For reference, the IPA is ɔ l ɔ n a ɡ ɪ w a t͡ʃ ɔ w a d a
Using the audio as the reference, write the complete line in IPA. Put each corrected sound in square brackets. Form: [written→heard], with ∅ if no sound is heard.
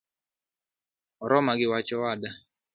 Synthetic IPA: ɔ [l→ɾ] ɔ [n→m] a ɡ ɪ w a t͡ʃ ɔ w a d a